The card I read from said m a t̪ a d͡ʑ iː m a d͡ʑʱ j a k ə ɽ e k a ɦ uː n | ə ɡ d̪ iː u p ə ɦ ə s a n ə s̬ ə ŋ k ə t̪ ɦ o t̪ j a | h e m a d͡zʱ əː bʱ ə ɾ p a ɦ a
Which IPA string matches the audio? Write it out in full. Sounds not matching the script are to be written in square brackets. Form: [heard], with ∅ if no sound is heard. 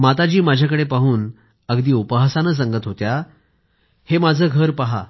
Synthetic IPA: m a t̪ a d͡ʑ iː m a d͡ʑʱ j a k ə ɽ e [p] a ɦ uː n | ə ɡ d̪ iː u p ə ɦ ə s a n ə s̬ ə ŋ [ɡ] ə t̪ ɦ o t̪ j a | h e m a d͡zʱ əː [ɡʱ] ə ɾ p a ɦ a